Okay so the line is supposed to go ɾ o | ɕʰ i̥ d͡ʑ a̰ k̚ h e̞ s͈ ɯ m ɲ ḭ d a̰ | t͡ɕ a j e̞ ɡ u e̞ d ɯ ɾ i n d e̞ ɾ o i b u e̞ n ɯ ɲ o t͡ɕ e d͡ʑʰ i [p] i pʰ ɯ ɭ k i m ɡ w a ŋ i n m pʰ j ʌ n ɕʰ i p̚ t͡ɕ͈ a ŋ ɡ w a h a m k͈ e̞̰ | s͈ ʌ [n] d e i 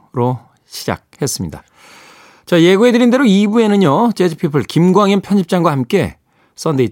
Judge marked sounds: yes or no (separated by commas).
no, yes